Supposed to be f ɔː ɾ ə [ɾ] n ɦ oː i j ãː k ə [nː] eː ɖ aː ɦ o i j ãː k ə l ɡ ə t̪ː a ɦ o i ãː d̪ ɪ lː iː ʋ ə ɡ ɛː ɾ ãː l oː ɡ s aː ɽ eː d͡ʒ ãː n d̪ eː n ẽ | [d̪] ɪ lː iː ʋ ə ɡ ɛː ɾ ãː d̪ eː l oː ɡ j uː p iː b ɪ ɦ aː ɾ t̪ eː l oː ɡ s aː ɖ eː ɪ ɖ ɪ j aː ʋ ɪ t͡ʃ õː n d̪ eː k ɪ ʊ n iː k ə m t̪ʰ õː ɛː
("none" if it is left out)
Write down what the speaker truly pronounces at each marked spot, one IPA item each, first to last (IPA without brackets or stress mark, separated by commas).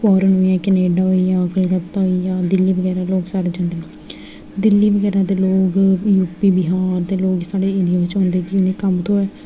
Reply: none, n, d̪